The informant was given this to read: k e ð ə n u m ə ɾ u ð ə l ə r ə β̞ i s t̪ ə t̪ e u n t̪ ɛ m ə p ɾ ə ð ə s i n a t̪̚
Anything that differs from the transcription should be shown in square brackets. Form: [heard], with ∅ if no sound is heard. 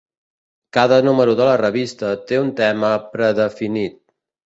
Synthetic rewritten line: k [a] ð ə n u m ə ɾ u ð ə l ə r ə β̞ i s t̪ ə t̪ e u n t̪ ɛ m ə p ɾ ə ð ə [f] i n [i] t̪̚